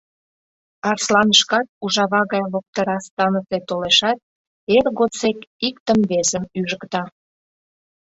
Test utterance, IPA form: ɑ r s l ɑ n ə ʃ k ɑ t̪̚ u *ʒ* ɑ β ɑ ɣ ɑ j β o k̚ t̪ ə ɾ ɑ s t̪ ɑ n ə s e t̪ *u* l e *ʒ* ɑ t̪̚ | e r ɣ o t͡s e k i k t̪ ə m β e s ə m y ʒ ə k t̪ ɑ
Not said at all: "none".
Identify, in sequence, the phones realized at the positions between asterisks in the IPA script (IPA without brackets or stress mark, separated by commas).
ʒ, o, ʃ